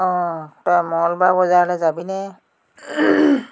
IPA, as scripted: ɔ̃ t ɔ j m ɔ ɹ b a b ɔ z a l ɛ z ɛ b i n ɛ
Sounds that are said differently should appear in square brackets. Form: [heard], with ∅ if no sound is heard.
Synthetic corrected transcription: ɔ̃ t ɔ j m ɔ [l] b a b ɔ z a l ɛ z [a] b i n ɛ